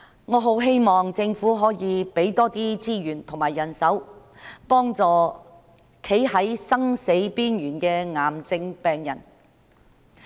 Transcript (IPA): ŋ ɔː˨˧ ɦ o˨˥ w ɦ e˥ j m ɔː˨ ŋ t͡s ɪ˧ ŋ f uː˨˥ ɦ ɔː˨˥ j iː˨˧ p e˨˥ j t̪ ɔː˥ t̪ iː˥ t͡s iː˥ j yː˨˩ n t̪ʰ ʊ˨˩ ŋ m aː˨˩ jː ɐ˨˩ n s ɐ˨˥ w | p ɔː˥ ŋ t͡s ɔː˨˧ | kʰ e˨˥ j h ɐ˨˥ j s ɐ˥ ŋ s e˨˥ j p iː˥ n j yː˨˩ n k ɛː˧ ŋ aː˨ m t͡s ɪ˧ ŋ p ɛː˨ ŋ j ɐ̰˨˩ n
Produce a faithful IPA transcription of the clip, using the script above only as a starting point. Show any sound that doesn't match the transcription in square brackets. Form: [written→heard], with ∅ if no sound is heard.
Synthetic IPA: ŋ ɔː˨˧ ɦ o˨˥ w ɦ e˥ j m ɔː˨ ŋ t͡s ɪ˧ ŋ f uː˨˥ ɦ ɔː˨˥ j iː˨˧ p e˨˥ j t̪ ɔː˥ t̪ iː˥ t͡s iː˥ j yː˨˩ n t̪ʰ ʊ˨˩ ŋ m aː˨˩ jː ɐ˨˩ n s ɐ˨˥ w | p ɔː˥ ŋ t͡s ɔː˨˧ | kʰ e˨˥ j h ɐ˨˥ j s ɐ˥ ŋ s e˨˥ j p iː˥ n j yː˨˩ n k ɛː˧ ŋ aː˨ m t͡s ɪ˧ ŋ p ɛː˨ ŋ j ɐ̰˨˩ n